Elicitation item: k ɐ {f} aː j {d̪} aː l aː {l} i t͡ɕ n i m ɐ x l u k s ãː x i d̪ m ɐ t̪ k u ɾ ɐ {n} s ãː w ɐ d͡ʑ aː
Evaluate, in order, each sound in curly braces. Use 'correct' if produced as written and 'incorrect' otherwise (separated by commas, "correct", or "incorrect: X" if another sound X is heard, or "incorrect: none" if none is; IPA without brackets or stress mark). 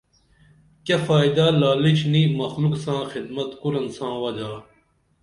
correct, correct, correct, correct